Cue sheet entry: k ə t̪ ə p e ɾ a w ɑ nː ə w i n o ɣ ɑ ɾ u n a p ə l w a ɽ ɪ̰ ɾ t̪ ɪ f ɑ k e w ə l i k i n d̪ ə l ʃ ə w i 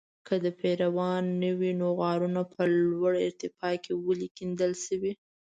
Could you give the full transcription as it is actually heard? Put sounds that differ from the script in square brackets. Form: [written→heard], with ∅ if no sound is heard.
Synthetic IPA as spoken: k ə [t̪→d̪] ə p e ɾ a w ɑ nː ə w i n o ɣ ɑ ɾ u n a p ə l w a ɽ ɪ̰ ɾ t̪ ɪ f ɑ k e w ə l i k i n d̪ ə l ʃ ə w i